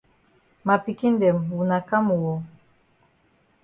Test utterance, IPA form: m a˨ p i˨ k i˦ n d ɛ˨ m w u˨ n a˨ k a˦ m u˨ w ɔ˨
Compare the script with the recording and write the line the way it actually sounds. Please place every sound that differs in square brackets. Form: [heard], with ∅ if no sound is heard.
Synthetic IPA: m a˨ p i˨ k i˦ n d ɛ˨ m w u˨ n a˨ k a˦ m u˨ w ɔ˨